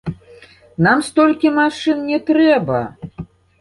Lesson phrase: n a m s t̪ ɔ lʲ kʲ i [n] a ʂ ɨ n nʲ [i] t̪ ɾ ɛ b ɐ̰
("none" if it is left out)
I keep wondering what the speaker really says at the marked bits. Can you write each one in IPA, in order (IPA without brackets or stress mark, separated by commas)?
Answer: m, ɛ